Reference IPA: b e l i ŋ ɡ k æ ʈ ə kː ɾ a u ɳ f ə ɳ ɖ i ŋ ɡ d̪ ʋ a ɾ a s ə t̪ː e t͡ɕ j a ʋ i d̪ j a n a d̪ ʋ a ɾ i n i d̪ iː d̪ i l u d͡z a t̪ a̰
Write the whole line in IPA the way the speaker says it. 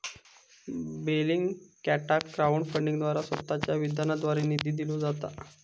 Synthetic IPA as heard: b e l i ŋ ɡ k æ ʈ a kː ɾ a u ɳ f ə ɳ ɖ i ŋ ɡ d̪ ʋ a ɾ a s ə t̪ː a t͡ɕ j a ʋ i d̪ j a n a d̪ ʋ a ɾ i n i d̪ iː d̪ i l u d͡z a t̪ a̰